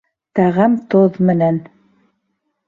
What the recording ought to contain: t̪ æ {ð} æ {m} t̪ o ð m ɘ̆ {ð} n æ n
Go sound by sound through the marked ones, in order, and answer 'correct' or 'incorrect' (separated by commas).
incorrect, correct, incorrect